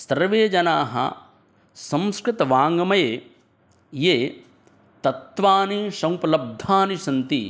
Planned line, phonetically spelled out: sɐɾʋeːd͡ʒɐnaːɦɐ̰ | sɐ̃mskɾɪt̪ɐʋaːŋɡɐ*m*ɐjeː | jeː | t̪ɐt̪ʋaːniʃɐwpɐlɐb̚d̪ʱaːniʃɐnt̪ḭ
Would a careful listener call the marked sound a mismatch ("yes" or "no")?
no